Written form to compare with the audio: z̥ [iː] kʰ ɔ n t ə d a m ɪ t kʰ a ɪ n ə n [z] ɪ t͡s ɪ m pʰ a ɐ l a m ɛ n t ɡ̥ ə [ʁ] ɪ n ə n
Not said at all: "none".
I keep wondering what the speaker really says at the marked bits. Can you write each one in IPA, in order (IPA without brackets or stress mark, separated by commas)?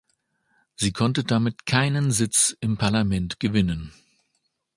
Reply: iː, z, v